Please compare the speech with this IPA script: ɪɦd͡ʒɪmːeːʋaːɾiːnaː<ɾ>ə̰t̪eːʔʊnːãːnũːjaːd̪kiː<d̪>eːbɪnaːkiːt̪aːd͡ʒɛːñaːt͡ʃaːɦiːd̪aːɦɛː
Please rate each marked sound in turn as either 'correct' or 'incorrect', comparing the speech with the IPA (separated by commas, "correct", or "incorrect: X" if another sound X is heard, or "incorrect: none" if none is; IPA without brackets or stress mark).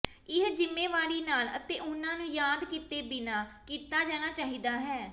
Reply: incorrect: l, incorrect: t̪